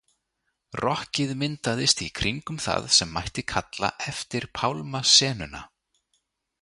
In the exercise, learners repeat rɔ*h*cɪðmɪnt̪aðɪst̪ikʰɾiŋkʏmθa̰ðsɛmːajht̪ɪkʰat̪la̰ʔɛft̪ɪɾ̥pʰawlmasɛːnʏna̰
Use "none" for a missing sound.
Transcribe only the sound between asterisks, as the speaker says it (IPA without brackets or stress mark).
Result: h